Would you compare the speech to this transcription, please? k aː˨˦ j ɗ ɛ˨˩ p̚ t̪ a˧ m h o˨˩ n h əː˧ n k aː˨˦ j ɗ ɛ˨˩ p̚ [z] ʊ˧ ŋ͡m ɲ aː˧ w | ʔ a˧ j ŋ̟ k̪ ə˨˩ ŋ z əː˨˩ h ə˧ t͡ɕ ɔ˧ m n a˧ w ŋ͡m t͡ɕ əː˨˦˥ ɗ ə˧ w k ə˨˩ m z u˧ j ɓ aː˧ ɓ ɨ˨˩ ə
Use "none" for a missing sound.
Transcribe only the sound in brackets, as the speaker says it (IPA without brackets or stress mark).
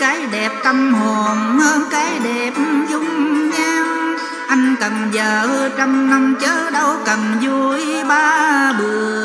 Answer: z